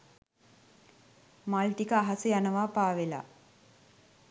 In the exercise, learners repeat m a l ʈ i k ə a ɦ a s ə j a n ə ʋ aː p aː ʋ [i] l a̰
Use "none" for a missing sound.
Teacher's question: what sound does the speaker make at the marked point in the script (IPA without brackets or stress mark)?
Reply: e